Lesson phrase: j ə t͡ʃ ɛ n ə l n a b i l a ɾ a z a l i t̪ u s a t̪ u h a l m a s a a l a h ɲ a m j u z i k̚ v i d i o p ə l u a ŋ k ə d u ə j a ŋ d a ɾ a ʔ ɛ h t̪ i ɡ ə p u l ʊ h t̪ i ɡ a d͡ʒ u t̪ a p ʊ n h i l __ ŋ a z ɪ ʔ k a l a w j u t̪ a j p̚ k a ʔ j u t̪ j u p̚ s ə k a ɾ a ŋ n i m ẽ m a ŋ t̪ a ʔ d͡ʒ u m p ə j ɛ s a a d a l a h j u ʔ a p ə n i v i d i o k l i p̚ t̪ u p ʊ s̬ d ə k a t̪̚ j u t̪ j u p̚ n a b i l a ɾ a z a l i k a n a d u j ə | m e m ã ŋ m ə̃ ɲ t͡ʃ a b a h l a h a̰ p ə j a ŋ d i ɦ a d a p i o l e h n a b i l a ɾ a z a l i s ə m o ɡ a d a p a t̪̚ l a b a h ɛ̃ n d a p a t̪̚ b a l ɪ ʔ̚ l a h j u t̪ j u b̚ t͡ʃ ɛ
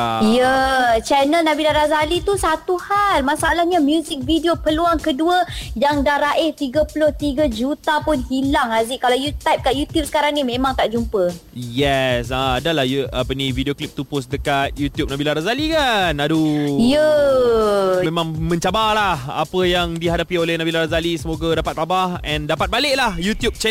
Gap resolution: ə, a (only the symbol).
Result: a